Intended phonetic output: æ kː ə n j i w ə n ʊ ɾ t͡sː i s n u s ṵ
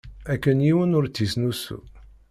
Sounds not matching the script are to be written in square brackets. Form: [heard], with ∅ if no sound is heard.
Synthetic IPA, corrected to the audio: æ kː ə n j i w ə n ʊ ɾ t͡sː i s n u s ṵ